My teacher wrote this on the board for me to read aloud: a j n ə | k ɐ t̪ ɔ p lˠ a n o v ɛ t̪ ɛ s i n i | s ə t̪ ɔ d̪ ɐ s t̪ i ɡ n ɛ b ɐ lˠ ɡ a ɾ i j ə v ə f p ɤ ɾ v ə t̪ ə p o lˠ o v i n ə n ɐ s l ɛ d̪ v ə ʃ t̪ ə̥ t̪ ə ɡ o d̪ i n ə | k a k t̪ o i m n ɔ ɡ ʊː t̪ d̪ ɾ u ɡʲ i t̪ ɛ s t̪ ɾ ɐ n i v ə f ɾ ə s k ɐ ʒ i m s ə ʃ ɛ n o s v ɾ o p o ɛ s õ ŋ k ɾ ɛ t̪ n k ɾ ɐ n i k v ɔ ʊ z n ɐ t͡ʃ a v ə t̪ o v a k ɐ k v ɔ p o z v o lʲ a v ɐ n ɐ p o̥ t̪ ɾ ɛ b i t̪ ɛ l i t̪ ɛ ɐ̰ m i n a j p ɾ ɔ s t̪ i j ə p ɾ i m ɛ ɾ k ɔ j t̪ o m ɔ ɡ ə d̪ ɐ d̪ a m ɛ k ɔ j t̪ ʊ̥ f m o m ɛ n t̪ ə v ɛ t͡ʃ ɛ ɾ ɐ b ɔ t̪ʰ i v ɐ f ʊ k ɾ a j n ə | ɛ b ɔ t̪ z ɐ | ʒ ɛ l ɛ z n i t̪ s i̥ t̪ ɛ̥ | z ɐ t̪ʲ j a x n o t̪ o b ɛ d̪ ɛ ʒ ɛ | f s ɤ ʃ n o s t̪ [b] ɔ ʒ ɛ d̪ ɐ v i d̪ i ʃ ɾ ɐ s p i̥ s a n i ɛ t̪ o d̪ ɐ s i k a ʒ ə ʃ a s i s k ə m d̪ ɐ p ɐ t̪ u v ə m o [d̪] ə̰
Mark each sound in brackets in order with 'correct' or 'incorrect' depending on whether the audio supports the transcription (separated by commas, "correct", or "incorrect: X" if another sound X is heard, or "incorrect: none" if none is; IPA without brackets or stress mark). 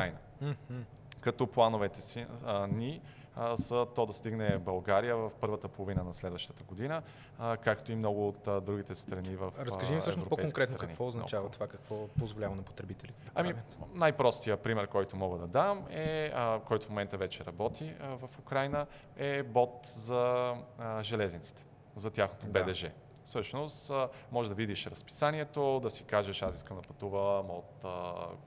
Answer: incorrect: m, incorrect: t̪